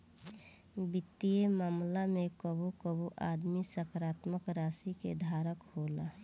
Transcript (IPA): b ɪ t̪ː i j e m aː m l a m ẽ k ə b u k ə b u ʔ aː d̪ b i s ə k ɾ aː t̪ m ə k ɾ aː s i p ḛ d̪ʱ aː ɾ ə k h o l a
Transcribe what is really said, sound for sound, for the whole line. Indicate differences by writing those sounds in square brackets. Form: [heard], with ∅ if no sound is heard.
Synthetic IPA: b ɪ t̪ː i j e m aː m l a m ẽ k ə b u k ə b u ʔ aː d̪ [m] i s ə k ɾ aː t̪ m ə k ɾ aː s i [k] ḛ d̪ʱ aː ɾ ə k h o l a